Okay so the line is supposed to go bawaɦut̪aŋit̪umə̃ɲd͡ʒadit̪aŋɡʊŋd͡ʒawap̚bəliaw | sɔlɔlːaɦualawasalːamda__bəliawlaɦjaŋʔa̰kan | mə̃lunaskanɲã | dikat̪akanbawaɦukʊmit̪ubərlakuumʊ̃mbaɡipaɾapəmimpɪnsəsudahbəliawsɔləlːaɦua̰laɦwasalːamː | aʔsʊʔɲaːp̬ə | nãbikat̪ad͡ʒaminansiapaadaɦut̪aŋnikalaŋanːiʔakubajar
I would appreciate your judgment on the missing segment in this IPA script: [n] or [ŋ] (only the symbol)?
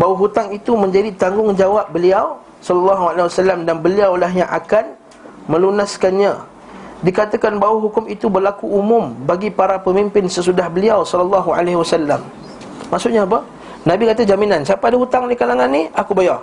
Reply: n